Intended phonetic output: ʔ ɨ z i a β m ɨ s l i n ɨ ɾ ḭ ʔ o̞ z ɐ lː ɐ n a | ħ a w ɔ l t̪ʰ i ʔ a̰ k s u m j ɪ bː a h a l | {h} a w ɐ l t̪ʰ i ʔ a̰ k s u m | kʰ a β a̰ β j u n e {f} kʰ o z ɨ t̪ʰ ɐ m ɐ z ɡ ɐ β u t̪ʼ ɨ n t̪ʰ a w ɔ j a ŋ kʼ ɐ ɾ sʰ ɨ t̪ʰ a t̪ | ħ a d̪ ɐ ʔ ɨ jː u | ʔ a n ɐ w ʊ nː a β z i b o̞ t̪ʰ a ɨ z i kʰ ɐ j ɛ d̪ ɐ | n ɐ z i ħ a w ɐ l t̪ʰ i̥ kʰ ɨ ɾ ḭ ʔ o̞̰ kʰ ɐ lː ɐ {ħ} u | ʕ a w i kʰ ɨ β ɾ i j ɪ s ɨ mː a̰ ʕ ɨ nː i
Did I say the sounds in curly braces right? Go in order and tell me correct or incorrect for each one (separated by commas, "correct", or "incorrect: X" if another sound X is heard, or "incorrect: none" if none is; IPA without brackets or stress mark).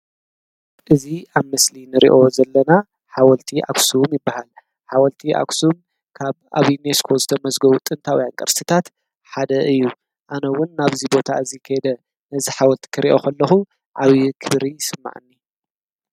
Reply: incorrect: ħ, incorrect: s, incorrect: x